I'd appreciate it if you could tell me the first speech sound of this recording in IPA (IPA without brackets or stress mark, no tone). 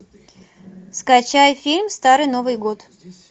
s